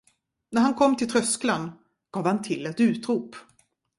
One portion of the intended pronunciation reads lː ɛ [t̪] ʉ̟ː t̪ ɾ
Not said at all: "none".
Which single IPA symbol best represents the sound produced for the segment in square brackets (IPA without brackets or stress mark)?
t̪